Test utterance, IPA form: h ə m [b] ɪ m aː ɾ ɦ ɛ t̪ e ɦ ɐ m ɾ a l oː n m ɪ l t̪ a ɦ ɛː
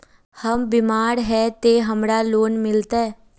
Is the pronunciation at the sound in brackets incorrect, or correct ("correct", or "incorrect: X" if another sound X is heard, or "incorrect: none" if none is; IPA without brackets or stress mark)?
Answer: correct